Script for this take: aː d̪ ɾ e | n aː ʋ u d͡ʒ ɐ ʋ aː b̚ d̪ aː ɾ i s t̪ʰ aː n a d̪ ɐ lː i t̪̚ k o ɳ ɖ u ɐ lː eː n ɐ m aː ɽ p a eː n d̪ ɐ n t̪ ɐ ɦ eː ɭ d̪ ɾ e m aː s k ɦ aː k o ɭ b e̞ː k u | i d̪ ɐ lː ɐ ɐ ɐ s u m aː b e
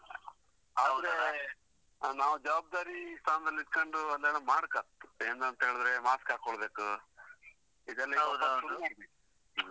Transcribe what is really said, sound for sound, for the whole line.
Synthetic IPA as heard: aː d̪ ɾ e | n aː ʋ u d͡ʒ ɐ ʋ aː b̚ d̪ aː ɾ i s t̪ʰ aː n ɐ d̪ ɐ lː i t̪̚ k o ɳ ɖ u ɐ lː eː n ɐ m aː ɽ k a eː n d̪ ɐ n t̪ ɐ ɦ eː ɭ d̪ ɾ e m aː s k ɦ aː k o ɭ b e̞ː k u | i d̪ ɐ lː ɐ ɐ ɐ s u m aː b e